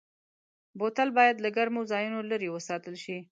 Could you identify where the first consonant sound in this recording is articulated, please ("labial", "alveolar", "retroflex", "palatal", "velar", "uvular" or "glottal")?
labial